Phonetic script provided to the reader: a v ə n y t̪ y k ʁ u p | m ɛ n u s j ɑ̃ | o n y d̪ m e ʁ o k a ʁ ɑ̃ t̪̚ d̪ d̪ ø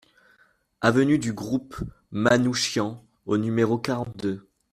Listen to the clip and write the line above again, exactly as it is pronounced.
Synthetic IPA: a v ə n y d̪ y ɡ ʁ u p | m a n u ʃ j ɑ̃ | o n y m e ʁ o k a ʁ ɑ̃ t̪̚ d̪ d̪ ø